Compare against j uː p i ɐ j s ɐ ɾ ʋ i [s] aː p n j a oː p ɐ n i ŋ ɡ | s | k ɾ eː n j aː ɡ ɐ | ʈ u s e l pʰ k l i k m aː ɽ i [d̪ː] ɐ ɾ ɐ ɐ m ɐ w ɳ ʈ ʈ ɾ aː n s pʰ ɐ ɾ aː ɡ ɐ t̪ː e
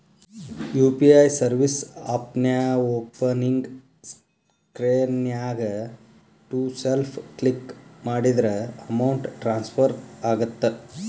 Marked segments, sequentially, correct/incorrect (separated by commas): correct, incorrect